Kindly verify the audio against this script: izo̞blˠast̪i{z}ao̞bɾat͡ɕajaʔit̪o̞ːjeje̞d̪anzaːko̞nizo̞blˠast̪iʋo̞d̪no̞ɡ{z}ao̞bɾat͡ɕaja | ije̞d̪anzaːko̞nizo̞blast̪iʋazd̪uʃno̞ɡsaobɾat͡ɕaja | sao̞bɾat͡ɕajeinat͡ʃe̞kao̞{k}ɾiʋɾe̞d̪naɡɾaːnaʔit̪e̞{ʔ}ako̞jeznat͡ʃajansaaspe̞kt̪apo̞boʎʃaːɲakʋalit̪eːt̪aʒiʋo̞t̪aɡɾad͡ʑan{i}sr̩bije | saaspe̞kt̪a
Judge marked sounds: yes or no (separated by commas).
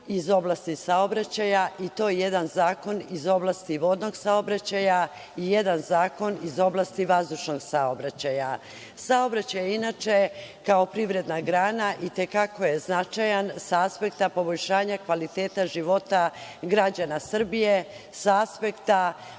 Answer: no, no, no, no, no